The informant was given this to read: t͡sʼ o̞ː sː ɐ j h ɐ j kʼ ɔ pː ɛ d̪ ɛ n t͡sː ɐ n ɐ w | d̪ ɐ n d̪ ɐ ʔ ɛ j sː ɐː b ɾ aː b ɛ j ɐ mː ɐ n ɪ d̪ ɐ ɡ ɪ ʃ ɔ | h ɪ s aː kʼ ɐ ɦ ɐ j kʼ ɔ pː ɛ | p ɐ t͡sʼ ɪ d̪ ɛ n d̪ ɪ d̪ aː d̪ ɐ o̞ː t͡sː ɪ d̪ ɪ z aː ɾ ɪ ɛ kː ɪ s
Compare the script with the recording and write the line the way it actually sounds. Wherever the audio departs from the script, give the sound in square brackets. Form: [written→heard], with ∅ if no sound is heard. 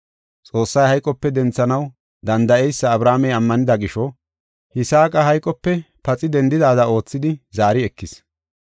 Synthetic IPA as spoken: t͡sʼ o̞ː sː ɐ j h ɐ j kʼ ɔ pː ɛ d̪ ɛ n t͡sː ɐ n ɐ w | d̪ ɐ n d̪ ɐ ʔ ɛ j sː ɐː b ɾ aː [b→m] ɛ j ɐ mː ɐ n ɪ d̪ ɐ ɡ ɪ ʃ ɔ | h ɪ s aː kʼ ɐ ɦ ɐ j kʼ ɔ pː ɛ | p ɐ t͡sʼ ɪ d̪ ɛ n d̪ ɪ d̪ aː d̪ ɐ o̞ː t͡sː ɪ d̪ ɪ z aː ɾ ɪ ɛ kː ɪ s